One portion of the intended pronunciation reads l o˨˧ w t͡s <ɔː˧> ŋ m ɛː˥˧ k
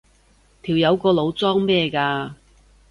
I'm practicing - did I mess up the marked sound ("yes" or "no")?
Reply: yes